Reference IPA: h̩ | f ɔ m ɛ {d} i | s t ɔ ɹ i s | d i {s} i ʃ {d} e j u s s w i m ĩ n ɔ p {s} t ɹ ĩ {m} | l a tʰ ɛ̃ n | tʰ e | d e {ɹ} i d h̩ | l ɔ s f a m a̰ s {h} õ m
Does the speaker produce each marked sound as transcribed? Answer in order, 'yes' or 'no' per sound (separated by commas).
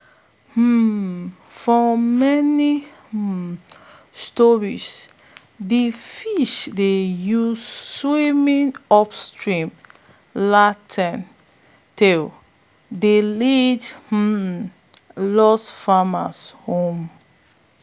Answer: no, no, yes, yes, yes, no, yes